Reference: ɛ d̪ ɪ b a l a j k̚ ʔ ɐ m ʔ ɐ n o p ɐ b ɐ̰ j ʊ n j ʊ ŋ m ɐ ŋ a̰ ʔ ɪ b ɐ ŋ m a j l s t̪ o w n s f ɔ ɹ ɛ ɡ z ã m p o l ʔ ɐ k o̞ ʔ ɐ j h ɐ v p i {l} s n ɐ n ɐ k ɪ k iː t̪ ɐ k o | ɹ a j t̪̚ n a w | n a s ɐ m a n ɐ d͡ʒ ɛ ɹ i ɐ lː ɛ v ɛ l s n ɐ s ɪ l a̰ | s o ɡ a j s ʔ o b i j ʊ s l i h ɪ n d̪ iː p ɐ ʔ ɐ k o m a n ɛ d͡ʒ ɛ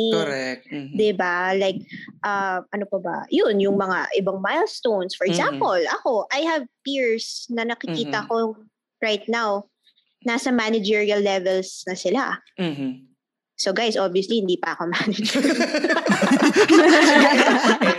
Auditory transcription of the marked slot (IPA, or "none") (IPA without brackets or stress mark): ɹ